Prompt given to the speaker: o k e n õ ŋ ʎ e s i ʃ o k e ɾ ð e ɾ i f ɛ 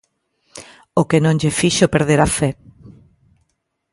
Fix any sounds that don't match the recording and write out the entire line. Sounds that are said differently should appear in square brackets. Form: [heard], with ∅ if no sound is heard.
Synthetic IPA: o k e n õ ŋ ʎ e [f] i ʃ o [p] e ɾ ð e ɾ [a] f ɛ